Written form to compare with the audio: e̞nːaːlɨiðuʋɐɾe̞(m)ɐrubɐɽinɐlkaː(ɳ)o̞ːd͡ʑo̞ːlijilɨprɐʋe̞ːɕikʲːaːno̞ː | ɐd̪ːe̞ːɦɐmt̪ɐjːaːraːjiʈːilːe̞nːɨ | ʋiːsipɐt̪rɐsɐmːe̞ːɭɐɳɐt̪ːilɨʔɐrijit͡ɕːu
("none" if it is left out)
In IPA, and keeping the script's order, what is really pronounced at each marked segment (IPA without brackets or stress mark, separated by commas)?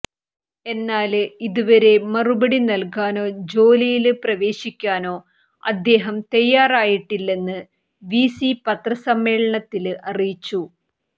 m, n